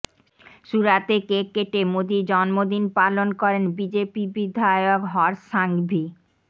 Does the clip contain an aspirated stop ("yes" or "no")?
no